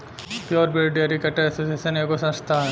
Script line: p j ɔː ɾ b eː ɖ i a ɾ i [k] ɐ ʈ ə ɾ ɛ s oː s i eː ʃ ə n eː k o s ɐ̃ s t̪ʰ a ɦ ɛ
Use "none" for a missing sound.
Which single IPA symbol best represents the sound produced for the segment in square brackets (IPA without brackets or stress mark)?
k